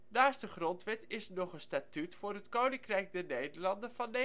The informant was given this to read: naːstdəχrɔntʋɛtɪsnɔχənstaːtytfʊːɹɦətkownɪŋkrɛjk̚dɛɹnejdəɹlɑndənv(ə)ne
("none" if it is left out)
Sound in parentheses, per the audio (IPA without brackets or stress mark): ɑ